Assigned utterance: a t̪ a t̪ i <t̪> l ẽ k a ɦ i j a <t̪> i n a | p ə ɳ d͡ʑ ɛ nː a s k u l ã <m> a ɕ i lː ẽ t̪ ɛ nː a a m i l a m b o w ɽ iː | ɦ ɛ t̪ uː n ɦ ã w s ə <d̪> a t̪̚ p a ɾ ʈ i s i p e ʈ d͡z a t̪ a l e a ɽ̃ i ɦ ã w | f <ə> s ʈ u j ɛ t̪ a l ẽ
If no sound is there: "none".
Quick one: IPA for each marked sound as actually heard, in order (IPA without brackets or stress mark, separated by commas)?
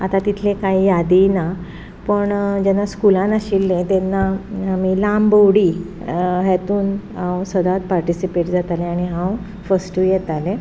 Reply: t̪ʰ, d̪, n, d̪, ə